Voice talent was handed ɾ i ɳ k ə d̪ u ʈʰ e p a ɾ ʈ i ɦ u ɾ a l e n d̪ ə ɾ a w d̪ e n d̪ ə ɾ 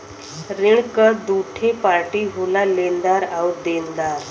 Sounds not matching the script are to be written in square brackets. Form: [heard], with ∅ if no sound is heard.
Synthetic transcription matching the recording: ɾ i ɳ k ə d̪ u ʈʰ e p a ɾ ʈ i ɦ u [l] a l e n d̪ [a] ɾ a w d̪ e n d̪ [a] ɾ